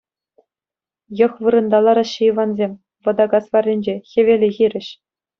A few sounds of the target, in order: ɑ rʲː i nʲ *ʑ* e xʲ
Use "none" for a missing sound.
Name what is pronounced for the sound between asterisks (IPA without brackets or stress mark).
d͡ʑ